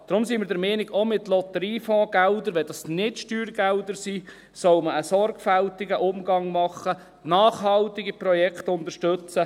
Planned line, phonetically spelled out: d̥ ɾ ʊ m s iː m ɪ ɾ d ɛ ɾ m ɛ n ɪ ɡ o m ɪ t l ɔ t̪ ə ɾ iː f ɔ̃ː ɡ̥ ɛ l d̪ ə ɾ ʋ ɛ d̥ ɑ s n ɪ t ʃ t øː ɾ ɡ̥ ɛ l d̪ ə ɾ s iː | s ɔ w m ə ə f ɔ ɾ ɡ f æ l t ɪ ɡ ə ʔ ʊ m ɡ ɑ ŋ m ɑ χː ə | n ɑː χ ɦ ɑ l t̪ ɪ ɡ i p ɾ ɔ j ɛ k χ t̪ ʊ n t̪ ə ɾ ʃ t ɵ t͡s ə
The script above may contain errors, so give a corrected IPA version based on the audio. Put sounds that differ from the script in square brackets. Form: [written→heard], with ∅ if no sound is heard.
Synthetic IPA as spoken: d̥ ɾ ʊ m s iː m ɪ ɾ d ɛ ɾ m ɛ n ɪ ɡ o m ɪ t l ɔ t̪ ə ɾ iː f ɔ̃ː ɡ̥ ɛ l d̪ ə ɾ ʋ ɛ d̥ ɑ s n ɪ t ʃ t [øː→yː] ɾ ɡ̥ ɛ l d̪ ə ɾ s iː | s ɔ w m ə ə [f→s] ɔ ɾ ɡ f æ l t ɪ ɡ ə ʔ ʊ m ɡ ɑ ŋ m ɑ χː ə | n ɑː χ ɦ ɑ l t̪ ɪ ɡ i p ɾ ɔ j ɛ k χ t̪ ʊ n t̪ ə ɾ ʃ t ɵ t͡s ə